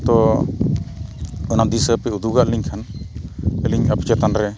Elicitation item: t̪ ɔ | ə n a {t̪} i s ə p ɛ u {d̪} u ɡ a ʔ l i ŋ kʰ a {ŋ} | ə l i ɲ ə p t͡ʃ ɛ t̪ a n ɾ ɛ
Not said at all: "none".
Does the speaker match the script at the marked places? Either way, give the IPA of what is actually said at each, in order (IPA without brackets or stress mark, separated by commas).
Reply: d̪, d̪, n